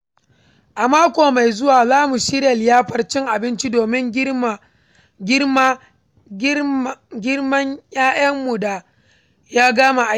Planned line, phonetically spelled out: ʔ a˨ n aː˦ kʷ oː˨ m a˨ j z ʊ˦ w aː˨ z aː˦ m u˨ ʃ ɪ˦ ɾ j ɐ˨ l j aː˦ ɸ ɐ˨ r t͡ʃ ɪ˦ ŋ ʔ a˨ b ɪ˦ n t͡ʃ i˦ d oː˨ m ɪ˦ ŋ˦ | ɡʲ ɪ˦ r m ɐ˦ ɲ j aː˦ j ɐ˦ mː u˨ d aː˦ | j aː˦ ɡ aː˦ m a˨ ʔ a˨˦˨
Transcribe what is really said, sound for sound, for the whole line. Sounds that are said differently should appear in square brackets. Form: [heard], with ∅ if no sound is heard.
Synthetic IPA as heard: ʔ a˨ [m] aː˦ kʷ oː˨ m a˨ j z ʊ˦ w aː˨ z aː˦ m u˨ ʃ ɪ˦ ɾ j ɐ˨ l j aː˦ ɸ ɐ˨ r t͡ʃ ɪ˦ ŋ ʔ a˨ b ɪ˦ n t͡ʃ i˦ d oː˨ m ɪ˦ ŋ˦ | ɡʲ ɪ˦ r m ɐ˦ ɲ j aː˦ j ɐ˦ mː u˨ d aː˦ | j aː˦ ɡ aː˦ m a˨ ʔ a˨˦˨